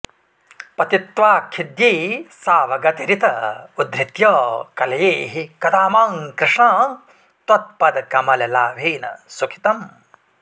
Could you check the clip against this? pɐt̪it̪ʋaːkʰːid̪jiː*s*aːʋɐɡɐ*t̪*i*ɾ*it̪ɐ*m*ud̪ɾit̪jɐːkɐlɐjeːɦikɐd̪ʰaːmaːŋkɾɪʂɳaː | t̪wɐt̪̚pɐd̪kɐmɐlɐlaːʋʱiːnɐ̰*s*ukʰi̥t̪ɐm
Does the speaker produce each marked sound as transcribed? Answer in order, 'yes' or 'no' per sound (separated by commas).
yes, yes, yes, no, yes